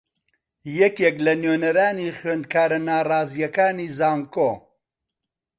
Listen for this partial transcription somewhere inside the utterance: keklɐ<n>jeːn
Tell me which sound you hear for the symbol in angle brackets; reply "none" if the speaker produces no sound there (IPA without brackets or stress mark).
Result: n